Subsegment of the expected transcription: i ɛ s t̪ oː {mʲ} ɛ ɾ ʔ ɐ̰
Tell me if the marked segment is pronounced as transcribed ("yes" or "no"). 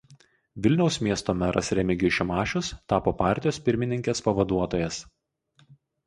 yes